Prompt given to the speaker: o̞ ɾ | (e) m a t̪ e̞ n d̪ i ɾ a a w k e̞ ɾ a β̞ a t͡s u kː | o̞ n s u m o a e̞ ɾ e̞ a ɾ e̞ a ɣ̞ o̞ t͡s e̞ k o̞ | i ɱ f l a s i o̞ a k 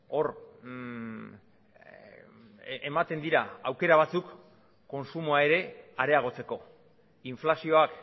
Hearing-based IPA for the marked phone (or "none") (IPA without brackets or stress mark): e